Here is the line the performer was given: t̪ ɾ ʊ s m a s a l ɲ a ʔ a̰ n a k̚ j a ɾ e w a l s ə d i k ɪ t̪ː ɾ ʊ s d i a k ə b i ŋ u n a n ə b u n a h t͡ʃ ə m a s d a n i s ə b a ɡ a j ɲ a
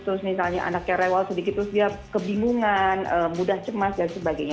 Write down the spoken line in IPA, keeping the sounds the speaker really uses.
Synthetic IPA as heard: t̪ ɾ ʊ s m i s a l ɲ a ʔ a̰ n a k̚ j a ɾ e w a l s ə d i k ɪ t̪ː ɾ ʊ s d i a k ə b i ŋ u ŋ a n ə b u d a h t͡ʃ ə m a s d a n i s ə b a ɡ a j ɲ a